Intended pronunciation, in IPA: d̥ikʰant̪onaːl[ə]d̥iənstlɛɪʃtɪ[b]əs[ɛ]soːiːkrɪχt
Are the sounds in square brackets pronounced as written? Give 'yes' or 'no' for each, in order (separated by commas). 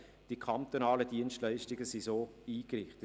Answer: yes, no, no